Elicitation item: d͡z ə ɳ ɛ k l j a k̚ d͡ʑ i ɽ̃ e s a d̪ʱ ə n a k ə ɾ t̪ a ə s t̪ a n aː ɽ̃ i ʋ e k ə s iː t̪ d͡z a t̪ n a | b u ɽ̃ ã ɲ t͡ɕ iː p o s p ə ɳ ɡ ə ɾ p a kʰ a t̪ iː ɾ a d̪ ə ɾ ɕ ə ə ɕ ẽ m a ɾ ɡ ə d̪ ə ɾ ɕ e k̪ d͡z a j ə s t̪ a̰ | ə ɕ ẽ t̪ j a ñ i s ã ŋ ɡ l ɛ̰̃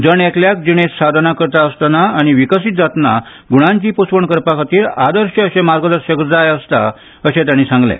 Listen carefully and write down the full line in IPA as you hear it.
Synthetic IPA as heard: d͡z ə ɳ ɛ k l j a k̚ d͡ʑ i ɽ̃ e s a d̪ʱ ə n a k ə ɾ t̪ a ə s t̪ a n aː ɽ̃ i ʋ i k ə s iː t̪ d͡z a t̪ n a | ɡ u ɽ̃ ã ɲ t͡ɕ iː p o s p ə ɳ k ə ɾ p a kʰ a t̪ iː ɾ a d̪ ə ɾ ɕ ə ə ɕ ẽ m a ɾ ɡ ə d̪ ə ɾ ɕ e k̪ d͡z a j ə s t̪ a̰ | ə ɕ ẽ t̪ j a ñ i s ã ŋ ɡ l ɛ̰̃